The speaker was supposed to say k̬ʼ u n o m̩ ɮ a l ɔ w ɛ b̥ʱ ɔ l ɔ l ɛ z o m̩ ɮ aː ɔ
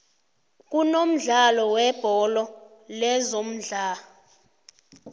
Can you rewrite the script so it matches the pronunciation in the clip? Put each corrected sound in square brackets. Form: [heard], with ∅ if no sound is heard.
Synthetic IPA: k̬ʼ u n o m̩ ɮ a l ɔ w ɛ b̥ʱ ɔ l ɔ l ɛ z o m̩ ɮ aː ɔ